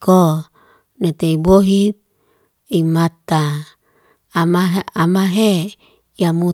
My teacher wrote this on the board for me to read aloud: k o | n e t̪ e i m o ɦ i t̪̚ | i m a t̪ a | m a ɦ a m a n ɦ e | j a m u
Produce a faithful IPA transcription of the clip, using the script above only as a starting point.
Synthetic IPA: k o | n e t̪ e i b o ɦ i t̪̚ | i m a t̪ a | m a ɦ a m a ɦ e | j a m u